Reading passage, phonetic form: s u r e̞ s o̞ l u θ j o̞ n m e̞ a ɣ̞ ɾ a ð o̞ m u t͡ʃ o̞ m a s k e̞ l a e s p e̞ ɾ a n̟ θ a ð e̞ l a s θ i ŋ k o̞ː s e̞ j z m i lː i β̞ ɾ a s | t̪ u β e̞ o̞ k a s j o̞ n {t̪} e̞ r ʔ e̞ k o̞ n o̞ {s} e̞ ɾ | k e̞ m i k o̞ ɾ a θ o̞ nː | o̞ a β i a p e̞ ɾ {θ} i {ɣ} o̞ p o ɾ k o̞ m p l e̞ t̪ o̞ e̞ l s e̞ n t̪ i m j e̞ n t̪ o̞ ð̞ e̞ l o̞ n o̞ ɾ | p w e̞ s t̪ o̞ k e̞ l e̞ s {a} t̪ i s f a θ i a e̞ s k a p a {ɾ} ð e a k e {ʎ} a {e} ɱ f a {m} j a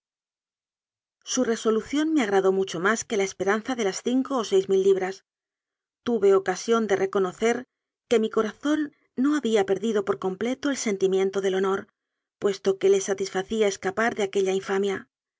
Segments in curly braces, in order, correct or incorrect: incorrect: d̪, incorrect: θ, incorrect: ð, incorrect: ð, correct, correct, correct, incorrect: i, correct

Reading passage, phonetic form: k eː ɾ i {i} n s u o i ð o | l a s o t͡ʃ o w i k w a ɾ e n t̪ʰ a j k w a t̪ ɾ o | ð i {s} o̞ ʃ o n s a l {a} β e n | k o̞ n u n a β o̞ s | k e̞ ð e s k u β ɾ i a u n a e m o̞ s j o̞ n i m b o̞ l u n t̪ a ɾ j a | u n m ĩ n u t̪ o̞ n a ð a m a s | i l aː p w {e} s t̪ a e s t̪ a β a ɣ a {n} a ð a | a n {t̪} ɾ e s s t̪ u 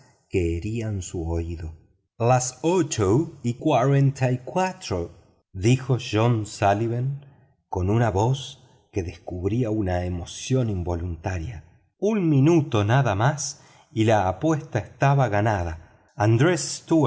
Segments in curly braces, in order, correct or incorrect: incorrect: a, incorrect: x, incorrect: i, correct, correct, incorrect: d̪

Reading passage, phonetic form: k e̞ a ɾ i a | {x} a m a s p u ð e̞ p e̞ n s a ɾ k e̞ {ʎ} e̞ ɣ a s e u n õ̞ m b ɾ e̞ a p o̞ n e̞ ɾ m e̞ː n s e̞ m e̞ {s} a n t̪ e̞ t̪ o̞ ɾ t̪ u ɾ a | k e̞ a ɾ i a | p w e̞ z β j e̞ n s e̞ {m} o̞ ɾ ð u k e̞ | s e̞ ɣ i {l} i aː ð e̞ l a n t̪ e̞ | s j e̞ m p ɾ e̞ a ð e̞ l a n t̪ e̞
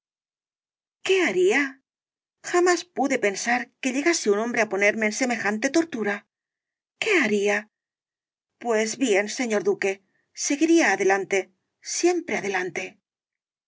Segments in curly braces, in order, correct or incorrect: correct, correct, incorrect: x, incorrect: ɲ, incorrect: ɾ

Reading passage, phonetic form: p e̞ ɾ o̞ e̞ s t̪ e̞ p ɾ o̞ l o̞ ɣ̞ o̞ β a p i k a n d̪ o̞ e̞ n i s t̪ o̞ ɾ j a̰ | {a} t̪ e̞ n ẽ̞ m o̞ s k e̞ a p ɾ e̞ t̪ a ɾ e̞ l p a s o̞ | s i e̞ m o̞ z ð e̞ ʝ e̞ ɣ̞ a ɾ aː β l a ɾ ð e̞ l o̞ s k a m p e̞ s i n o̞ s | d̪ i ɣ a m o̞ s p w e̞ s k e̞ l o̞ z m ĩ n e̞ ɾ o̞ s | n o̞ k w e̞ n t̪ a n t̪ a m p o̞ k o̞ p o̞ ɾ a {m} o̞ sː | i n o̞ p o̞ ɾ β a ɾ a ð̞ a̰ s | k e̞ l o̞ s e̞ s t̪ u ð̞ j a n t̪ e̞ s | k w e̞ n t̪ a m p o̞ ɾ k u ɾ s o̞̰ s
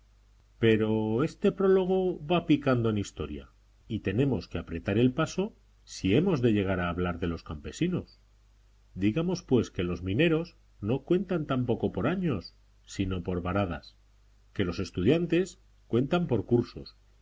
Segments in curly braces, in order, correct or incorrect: incorrect: i, incorrect: ɲ

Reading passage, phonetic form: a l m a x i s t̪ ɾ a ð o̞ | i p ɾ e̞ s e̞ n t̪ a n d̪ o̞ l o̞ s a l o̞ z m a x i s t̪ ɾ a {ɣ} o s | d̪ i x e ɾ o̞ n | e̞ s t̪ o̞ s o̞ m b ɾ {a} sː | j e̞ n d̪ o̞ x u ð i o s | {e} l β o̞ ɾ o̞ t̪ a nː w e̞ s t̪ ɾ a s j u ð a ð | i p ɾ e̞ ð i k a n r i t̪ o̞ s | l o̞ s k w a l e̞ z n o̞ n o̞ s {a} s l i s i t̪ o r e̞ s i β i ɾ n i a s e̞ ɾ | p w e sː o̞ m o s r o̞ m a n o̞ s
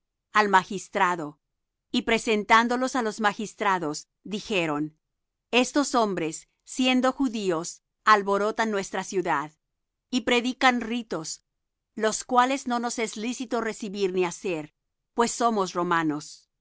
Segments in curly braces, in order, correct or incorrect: incorrect: ð, incorrect: e, incorrect: a, incorrect: e

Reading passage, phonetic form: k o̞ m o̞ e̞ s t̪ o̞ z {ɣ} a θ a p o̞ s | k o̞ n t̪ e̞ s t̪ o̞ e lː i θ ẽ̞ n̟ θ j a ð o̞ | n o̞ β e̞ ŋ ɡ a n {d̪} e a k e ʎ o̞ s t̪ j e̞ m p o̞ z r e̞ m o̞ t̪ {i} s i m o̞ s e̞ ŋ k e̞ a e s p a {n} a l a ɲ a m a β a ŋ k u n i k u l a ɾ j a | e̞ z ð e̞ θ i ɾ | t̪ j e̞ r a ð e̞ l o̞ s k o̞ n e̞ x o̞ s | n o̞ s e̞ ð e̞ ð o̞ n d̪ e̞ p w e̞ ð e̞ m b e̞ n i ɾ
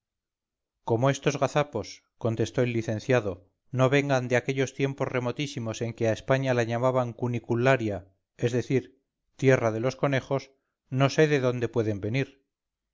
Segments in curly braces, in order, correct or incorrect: correct, correct, correct, incorrect: ɲ

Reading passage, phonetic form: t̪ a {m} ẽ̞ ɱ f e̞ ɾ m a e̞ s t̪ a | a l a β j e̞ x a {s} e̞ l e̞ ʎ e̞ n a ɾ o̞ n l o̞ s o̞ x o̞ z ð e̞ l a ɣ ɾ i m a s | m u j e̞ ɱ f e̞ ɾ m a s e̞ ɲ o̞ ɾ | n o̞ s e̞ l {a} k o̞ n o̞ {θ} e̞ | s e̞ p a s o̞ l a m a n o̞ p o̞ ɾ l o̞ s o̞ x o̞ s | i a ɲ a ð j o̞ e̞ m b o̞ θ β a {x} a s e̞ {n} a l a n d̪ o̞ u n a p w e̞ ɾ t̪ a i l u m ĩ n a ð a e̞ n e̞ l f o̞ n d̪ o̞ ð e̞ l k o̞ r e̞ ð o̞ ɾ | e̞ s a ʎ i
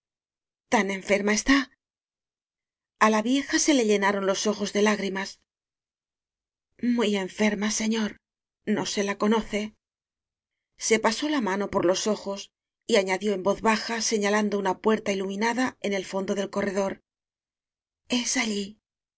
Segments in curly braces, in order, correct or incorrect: incorrect: n, correct, correct, correct, correct, incorrect: ɲ

